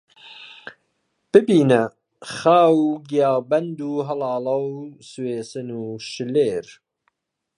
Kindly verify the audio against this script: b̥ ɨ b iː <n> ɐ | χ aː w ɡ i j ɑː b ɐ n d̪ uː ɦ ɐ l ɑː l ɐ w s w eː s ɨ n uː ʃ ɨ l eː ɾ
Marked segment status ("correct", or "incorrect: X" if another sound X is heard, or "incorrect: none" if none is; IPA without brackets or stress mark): correct